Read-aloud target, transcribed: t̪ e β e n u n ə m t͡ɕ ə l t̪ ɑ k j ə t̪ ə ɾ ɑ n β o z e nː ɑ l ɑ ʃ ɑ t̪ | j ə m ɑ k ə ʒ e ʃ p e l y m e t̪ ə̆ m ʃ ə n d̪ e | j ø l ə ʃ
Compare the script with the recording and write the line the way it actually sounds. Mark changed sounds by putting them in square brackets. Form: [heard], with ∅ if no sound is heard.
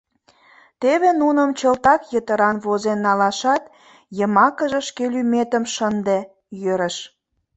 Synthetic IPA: t̪ e β e n u n ə m t͡ɕ ə l t̪ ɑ k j ə t̪ ə ɾ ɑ n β o z e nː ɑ l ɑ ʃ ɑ t̪ | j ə m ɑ k ə ʒ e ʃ [k] e l y m e t̪ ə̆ m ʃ ə n d̪ e | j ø [ɾ] ə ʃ